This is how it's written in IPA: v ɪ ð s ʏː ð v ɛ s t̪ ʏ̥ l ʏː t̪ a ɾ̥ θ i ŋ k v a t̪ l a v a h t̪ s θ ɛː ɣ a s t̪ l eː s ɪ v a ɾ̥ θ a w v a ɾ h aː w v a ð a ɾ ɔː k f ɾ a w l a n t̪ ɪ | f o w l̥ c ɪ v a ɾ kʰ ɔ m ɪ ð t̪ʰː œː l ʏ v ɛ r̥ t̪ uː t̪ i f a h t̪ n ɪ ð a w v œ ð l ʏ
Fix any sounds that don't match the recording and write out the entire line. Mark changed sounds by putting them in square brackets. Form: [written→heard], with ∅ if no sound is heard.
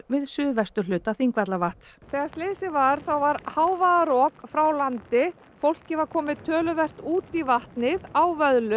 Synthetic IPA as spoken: v ɪ ð s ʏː ð v ɛ s t̪ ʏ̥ l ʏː t̪ a [ɾ̥→∅] θ i ŋ k v a t̪ l a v a h t̪ s θ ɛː ɣ a s t̪ l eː s ɪ v a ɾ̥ θ a w v a ɾ h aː w v a ð a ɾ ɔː k f ɾ a w l a n t̪ ɪ | f o w l̥ c ɪ v a ɾ kʰ [ɔ→ɔː] m ɪ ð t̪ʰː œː l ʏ v ɛ r̥ t̪ uː t̪ i [f→v] a h t̪ n ɪ ð a w v œ ð l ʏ